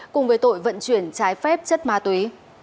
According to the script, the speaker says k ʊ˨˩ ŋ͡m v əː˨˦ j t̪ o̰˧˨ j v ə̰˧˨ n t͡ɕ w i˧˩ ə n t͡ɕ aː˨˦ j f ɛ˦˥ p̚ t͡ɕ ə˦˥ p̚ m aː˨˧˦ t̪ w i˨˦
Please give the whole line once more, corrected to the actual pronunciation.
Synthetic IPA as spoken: k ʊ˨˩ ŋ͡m v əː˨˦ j t̪ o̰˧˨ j v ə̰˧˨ n t͡ɕ w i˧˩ ə n t͡ɕ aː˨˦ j f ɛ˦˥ p̚ t͡ɕ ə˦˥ t̚ m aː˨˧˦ t̪ w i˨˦